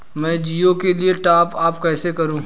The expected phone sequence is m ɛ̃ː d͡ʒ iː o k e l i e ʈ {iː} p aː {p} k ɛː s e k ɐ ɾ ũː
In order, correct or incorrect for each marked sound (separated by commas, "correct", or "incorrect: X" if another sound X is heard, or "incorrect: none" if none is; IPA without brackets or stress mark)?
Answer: incorrect: aː, correct